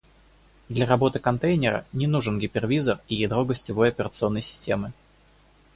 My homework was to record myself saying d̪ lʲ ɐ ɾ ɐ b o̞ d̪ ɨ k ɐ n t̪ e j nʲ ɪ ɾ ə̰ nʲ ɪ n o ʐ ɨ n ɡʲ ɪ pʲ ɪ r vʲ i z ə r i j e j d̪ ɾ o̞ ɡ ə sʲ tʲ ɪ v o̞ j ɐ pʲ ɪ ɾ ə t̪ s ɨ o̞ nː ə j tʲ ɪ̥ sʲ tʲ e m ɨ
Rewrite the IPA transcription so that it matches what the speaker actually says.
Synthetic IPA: d̪ lʲ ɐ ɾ ɐ b o̞ t̪ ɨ k ɐ n t̪ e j nʲ ɪ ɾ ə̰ nʲ ɪ n u ʐ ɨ n ɡʲ ɪ pʲ ɪ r vʲ i z ə r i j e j d̪ ɾ o̞ ɡ ə sʲ tʲ ɪ v o̞ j ɐ pʲ ɪ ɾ ə t̪ s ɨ o̞ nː ə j sʲ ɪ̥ sʲ tʲ e m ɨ